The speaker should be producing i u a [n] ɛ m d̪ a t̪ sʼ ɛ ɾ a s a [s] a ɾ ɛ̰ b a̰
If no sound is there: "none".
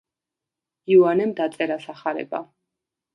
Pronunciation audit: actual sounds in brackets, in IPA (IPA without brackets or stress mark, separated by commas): n, χ